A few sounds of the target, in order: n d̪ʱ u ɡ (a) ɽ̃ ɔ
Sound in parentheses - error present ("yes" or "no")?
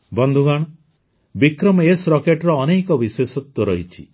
no